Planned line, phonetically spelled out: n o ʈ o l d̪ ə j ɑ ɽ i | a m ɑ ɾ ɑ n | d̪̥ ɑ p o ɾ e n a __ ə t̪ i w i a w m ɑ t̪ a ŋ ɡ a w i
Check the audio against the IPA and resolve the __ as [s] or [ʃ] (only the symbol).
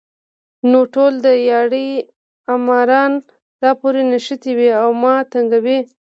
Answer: ʃ